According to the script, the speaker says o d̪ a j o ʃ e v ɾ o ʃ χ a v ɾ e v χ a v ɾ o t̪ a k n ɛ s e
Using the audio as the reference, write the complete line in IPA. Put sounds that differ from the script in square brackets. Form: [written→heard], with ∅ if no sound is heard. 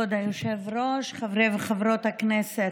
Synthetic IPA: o d̪ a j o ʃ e v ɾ o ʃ χ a v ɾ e v χ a v ɾ o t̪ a k n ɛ s e

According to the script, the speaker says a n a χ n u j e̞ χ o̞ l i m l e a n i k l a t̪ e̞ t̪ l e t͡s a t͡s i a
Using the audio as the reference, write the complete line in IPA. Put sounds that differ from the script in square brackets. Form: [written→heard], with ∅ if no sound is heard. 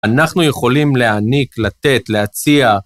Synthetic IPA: a n a χ n u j e̞ χ o̞ l i m l e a n i k l a t̪ e̞ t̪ l e [t͡s→∅] a t͡s i a

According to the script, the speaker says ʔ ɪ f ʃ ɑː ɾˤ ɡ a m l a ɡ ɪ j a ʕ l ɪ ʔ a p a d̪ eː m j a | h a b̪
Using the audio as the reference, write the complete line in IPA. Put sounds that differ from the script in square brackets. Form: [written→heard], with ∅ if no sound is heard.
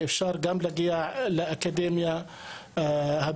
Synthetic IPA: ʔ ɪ f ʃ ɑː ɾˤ ɡ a m l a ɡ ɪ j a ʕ l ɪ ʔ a [p→k] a d̪ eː m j a | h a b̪

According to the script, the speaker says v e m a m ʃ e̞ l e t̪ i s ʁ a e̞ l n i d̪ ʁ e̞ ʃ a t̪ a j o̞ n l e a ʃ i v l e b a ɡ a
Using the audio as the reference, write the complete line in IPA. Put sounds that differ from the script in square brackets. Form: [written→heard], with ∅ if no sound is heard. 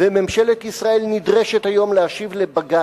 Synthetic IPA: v e m [a→e] m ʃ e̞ l e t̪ i s ʁ a e̞ l n i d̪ ʁ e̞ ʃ [a→e] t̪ a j o̞ [n→m] l e a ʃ i v l e b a ɡ a

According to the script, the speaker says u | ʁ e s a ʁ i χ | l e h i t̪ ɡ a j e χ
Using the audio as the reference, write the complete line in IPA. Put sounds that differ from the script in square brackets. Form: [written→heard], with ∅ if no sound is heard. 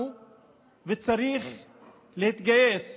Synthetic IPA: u | [ʁ→v] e [s→t͡s] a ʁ i χ | l e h i t̪ ɡ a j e [χ→s]

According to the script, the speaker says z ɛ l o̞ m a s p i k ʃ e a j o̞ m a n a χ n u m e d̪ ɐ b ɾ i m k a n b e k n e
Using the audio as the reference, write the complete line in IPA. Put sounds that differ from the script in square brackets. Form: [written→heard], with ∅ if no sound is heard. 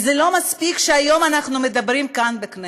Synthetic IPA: z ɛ l o̞ m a s p i k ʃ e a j o̞ m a n a χ n u m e d̪ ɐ b ɾ i m k a n b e k n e

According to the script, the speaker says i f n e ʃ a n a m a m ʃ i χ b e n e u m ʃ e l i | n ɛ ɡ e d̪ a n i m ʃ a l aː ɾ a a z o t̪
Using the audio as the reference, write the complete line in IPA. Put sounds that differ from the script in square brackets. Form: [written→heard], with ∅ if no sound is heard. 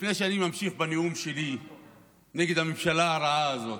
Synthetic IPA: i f n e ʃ a n [a→i] m a m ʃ i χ b [e→a] n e u m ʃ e l i | n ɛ ɡ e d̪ a [n→m] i m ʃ a l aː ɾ a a z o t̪

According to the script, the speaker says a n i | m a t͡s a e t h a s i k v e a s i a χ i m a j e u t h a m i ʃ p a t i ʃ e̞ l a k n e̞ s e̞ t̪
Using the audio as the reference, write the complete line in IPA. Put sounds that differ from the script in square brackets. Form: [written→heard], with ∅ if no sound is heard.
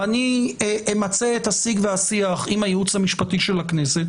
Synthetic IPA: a n i | m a t͡s [a→e] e t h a s i [k→ɡ] v e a s i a χ i m a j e u [t→t͡s] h a m i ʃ p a t i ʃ e̞ l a k n e̞ s e̞ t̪

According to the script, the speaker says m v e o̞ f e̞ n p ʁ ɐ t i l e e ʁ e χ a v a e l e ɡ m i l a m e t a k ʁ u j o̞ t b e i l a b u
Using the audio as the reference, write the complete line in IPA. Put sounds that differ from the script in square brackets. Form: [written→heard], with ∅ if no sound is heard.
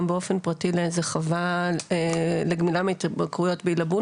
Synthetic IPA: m [v→b] e o̞ f e̞ n p ʁ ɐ t i l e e [ʁ→z] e χ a v a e l e ɡ m i l a m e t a k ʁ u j o̞ t b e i l a b u

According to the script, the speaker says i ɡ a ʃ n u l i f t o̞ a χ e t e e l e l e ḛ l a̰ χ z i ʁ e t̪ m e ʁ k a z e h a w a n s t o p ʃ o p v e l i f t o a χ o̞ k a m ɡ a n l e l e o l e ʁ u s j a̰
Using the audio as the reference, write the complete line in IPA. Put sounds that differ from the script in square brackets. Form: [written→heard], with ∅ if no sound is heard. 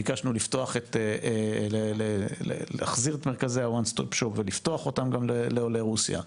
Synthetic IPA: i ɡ a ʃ n u l i f t o̞ a χ e t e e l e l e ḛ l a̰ χ z i ʁ e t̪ m e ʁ k a z e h a w a n s t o p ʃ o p v e l i f t o a χ o̞ [k→t] a m ɡ a [n→m] l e l e o l e ʁ u s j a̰

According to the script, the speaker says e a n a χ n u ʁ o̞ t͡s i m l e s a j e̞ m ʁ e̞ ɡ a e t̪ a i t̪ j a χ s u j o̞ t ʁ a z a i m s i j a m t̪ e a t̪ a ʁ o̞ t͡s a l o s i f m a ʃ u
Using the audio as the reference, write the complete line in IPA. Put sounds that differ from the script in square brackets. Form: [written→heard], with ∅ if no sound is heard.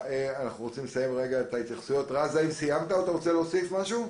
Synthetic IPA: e a n a χ n u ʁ o̞ t͡s i m l e s a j e̞ m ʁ e̞ ɡ a e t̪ a i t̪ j a χ s u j o̞ t ʁ a z a i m s i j a m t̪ [e→a] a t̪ a ʁ o̞ t͡s [a→e] l o s i f m a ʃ u

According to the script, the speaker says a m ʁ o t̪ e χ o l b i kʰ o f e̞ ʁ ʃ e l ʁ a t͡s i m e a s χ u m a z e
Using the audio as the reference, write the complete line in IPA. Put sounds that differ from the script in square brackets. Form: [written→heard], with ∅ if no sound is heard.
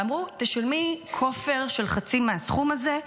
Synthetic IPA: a m ʁ [o→u] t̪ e [χ→ʃ] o l [b→m] i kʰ o f e̞ ʁ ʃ e l [ʁ→χ] a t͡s i m e a s χ u m a z e

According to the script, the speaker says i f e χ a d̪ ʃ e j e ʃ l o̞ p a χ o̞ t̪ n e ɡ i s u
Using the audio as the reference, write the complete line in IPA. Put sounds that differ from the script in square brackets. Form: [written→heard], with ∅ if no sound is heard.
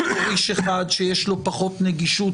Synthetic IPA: i [f→ʃ] e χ a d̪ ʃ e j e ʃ l o̞ p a χ o̞ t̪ n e ɡ i [s→ʃ] u

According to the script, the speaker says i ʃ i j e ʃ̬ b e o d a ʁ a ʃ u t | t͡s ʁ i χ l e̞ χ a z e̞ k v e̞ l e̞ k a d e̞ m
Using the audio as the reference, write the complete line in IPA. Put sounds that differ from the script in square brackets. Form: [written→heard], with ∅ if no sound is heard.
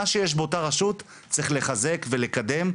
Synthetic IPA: [i→a] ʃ [i→e] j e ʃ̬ b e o [d→t] a ʁ a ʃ u t | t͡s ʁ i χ l e̞ χ a z e̞ k v e̞ l e̞ k a d e̞ m

